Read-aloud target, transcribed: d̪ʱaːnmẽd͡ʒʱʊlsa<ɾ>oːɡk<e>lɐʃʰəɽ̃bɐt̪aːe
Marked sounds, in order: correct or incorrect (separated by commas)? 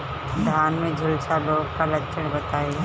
incorrect, incorrect